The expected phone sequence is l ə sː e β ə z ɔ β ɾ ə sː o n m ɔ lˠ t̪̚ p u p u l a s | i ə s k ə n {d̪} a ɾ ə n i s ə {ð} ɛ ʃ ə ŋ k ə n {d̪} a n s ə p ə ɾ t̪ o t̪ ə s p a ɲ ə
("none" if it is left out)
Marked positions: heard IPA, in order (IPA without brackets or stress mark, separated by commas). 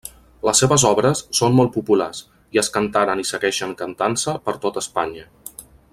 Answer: t̪, ɣ, t̪